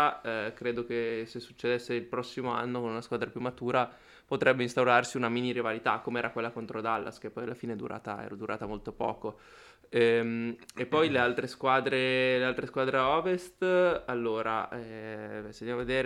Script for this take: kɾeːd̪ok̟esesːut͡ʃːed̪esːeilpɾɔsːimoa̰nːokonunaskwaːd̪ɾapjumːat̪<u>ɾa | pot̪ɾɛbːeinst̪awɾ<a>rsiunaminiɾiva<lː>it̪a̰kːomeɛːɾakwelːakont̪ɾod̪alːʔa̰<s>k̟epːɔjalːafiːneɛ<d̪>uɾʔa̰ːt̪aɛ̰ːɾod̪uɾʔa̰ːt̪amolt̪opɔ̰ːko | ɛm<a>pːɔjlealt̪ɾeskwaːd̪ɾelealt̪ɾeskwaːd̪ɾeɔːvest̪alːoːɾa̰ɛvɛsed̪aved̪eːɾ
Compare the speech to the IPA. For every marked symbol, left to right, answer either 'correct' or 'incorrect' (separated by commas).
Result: incorrect, correct, incorrect, correct, correct, incorrect